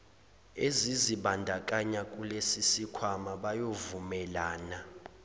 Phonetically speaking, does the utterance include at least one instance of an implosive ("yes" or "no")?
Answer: yes